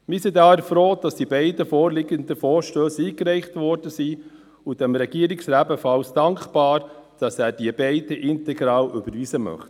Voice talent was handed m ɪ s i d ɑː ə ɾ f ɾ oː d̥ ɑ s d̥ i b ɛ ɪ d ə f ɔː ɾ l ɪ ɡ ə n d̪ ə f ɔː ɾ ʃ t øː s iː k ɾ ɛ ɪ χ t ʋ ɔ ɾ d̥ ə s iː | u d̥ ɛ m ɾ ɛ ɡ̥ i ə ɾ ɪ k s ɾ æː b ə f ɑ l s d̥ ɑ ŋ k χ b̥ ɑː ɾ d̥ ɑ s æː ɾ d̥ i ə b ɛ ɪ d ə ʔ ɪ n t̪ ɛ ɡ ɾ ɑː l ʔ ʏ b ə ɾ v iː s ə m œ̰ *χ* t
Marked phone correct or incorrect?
correct